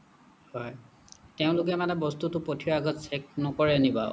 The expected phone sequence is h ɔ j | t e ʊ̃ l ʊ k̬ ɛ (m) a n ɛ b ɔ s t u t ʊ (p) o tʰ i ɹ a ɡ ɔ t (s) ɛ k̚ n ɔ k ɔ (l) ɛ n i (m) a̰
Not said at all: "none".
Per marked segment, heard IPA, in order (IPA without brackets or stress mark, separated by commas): m, p, s, ɹ, b